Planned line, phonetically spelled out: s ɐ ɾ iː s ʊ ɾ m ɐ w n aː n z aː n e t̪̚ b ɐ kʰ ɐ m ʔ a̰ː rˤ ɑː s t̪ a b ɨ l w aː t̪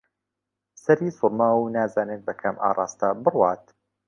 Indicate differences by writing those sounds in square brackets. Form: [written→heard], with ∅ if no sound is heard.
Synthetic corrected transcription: s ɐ ɾ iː s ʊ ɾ m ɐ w n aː [n→∅] z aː n e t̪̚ b ɐ kʰ ɐ m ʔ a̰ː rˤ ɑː s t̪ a b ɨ [l→r] w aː t̪